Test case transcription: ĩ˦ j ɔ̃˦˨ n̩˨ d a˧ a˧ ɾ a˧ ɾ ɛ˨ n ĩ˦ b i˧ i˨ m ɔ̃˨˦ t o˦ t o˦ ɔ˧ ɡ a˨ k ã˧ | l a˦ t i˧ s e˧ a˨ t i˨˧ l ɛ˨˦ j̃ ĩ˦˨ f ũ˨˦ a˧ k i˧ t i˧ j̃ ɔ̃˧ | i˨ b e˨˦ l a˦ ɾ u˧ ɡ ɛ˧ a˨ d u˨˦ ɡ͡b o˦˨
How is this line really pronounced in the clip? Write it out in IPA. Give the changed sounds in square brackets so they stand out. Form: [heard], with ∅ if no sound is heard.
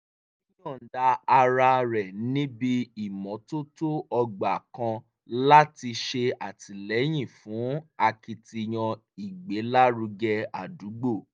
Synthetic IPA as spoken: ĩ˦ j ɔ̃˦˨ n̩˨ d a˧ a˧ ɾ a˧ ɾ ɛ˨ n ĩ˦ b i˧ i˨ m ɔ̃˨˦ t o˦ t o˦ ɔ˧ [ɡ͡b] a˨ k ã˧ | l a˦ t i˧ [ʃ] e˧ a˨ t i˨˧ l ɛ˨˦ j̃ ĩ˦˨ f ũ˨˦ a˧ k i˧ t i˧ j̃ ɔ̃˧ | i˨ [ɡ͡b] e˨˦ l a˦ ɾ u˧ ɡ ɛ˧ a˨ d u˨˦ ɡ͡b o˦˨